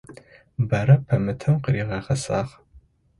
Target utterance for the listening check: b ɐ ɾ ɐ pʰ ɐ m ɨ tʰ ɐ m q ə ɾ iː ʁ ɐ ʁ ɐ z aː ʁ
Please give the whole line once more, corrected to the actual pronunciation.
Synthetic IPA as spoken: b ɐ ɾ ɐ pʰ ɐ m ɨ tʰ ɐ m q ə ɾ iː ʁ ɐ ʁ ɐ s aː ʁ